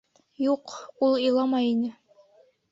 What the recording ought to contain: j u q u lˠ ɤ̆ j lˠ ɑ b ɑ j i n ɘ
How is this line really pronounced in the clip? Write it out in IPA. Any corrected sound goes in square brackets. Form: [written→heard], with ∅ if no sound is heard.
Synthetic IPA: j u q u lˠ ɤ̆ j lˠ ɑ [b→m] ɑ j i n ɘ